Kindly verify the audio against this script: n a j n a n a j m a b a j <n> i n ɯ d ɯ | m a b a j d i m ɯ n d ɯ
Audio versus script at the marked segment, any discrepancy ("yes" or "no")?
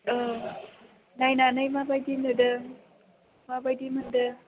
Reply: yes